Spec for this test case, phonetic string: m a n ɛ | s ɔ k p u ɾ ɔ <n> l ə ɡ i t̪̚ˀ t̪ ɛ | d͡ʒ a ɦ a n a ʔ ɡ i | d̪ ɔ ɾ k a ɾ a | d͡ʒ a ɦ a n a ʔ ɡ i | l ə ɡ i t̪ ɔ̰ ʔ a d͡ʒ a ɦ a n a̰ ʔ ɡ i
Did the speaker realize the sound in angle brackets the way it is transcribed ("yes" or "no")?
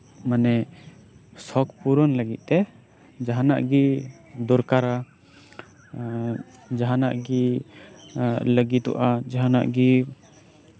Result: yes